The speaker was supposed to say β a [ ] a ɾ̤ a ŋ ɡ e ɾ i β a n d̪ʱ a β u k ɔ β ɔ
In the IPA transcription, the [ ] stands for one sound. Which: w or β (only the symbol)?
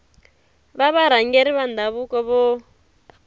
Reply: β